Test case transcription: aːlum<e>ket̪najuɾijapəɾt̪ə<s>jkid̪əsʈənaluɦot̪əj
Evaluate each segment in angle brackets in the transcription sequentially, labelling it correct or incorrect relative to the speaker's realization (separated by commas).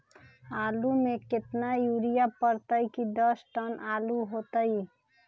correct, incorrect